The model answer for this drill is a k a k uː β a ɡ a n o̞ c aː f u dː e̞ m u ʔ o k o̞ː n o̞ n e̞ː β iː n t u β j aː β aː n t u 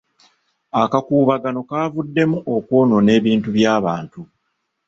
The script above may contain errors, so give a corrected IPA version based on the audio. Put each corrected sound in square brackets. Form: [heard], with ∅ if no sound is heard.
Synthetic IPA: a k a k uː β a ɡ a n o̞ [k] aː [v] u dː e̞ m u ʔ o k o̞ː n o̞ n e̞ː β iː n t u β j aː β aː n t u

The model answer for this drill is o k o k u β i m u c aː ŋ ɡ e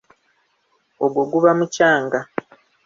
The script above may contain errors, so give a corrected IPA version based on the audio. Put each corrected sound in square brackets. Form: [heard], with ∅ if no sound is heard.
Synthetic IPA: o [ɡ] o [ɡ] u β [a] m u c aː ŋ ɡ [a]

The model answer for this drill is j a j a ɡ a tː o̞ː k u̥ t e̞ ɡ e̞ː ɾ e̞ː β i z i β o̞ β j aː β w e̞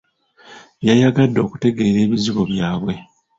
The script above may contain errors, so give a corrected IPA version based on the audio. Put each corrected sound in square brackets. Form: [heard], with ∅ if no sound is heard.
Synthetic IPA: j a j a ɡ a [dː] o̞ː k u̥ t e̞ ɡ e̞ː ɾ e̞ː β i z i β o̞ β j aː β w e̞

